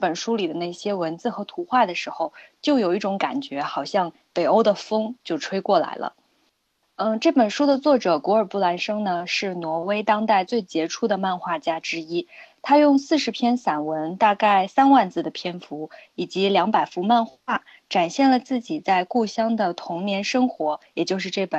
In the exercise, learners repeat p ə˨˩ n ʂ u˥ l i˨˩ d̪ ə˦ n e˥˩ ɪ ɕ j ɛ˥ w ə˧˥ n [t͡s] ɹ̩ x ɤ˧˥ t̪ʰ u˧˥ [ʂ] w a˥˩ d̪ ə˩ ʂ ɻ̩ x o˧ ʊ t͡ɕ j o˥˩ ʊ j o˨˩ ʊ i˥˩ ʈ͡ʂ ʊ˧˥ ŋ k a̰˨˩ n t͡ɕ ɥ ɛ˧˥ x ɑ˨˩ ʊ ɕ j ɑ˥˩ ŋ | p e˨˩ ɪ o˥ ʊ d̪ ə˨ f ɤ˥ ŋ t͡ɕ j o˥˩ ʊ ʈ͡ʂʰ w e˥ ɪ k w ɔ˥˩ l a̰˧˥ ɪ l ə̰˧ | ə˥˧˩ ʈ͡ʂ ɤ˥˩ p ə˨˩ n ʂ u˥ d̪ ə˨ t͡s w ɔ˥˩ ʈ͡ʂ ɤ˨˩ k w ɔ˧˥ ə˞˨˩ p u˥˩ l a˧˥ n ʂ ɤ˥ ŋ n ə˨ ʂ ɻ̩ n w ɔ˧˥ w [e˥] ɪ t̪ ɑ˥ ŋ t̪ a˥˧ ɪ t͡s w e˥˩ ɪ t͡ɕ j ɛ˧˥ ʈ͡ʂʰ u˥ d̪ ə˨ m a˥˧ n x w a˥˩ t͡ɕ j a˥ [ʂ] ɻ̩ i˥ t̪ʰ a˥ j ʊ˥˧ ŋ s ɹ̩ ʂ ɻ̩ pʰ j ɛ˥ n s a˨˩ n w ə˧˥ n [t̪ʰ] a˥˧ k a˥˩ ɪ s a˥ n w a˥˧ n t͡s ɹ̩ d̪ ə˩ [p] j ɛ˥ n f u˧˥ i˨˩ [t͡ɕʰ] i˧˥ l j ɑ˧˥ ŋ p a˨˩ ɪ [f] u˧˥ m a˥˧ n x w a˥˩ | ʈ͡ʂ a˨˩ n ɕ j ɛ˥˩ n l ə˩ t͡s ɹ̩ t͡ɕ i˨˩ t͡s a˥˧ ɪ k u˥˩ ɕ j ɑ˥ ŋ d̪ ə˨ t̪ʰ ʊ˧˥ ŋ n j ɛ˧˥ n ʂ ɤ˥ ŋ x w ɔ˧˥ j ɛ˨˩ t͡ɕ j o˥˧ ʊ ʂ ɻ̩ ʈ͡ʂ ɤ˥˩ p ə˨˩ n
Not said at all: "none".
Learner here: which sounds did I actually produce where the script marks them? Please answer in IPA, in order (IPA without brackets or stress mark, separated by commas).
t͡s, x, e˥, ʈ͡ʂ, t̪, pʰ, t͡ɕ, f